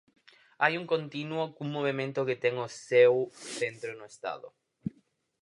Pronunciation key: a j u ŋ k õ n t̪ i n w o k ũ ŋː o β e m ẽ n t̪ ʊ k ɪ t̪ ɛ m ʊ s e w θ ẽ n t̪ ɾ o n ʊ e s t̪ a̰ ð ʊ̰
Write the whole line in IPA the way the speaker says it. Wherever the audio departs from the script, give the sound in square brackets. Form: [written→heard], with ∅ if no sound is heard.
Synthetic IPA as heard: a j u ŋ k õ n t̪ i n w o k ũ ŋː o β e m ẽ n t̪ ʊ k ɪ t̪ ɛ [m→ŋ] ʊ s e w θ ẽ n t̪ ɾ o n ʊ e s t̪ a̰ ð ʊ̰